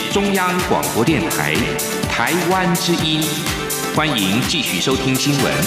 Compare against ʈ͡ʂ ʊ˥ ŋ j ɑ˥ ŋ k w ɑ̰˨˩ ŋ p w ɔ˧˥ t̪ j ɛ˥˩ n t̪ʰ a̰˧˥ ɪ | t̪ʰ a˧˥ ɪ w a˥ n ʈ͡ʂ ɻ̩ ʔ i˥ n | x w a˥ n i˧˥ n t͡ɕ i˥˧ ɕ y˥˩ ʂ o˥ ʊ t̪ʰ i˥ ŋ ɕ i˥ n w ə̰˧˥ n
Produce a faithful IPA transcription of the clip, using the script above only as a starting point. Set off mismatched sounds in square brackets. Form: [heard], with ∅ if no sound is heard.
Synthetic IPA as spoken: ʈ͡ʂ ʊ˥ ŋ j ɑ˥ ŋ k w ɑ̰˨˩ ŋ p w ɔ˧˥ t̪ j ɛ˥˩ n t̪ʰ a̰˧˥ ɪ | t̪ʰ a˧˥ ɪ w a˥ n ʈ͡ʂ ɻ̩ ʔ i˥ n | x w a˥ n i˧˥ [ŋ] t͡ɕ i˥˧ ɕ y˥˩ ʂ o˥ ʊ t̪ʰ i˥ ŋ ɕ i˥ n w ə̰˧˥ n